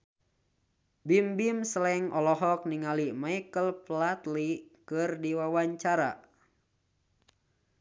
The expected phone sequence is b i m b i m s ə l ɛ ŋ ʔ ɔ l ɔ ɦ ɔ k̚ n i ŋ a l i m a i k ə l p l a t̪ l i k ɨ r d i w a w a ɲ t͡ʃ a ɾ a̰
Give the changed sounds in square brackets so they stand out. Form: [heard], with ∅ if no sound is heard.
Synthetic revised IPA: b i m b i m s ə l ɛ ŋ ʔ ɔ l ɔ ɦ ɔ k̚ n i ŋ a l i m a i k ə l p l a t̪ l i k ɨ r d i w a w a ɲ t͡ʃ a ɾ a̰